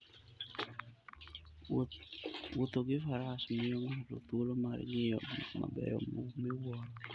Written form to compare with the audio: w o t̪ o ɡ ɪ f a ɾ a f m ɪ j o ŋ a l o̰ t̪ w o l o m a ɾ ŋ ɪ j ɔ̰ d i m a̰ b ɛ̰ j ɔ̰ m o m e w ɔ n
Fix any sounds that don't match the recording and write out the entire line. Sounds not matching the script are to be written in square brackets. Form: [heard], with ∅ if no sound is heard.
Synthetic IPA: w o t̪ o ɡ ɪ f a ɾ a [s] m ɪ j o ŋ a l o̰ t̪ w o l o m a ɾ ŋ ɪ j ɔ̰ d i m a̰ b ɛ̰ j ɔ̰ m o m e w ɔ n